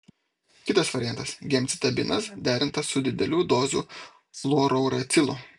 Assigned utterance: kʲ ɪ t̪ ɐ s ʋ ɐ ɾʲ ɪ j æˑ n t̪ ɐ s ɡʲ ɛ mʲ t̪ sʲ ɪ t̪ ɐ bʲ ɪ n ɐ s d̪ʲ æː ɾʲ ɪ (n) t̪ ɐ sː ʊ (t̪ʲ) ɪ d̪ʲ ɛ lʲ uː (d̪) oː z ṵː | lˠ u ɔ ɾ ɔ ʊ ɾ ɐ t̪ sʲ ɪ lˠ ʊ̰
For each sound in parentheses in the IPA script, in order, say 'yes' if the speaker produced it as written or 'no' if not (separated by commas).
yes, no, yes